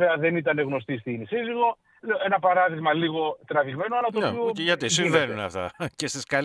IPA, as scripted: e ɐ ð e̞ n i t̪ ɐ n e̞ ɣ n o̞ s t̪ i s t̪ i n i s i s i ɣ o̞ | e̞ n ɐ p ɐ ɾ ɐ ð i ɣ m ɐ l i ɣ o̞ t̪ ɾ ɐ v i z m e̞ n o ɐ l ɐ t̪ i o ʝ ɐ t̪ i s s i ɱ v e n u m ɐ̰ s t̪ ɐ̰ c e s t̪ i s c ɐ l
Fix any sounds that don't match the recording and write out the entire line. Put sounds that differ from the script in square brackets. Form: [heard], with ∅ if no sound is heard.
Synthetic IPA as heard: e ɐ ð e̞ n i t̪ ɐ n e̞ ɣ n o̞ s t̪ i s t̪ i n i s i [z] i ɣ o̞ | e̞ n ɐ p ɐ ɾ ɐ ð i ɣ m ɐ l i ɣ o̞ t̪ ɾ ɐ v i [ɣ] m e̞ n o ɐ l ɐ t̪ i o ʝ ɐ t̪ i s s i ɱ v e n u [n] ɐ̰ [f] t̪ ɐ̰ c e s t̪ i s [k] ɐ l